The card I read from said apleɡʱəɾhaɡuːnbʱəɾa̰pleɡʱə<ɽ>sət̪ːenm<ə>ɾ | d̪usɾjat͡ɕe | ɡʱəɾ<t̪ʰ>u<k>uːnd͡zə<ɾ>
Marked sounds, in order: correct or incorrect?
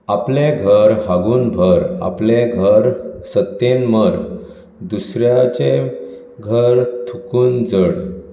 incorrect, correct, correct, correct, incorrect

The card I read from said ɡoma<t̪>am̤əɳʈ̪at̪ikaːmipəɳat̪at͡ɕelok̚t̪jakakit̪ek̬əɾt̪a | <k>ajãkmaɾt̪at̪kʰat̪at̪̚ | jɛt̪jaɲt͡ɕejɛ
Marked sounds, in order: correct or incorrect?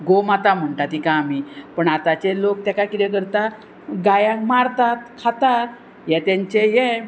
correct, incorrect

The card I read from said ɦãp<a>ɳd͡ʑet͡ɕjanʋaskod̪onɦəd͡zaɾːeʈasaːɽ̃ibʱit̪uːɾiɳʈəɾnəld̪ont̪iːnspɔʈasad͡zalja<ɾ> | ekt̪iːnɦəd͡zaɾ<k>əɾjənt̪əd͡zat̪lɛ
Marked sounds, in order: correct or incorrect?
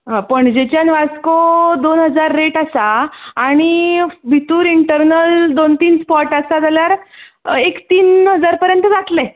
incorrect, correct, incorrect

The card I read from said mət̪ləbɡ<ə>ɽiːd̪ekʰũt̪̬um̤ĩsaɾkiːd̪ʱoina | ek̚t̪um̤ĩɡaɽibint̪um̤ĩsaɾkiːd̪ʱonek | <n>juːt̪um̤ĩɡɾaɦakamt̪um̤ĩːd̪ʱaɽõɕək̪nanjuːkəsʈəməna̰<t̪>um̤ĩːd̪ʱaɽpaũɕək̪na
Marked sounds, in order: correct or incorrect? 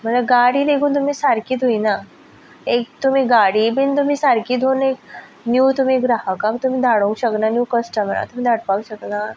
incorrect, correct, correct

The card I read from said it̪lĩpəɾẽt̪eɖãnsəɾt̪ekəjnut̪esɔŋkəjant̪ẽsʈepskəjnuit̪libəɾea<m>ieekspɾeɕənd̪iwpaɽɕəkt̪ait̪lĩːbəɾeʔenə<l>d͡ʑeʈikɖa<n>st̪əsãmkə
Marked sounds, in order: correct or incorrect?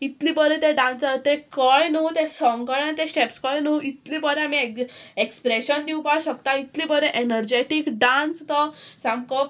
correct, incorrect, correct

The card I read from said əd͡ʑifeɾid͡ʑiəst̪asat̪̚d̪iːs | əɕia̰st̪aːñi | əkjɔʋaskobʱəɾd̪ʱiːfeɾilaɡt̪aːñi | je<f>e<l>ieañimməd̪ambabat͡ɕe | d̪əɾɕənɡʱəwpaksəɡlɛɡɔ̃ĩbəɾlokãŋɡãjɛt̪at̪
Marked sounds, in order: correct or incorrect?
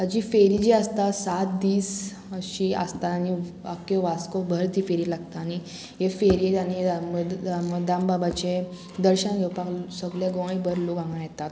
correct, incorrect

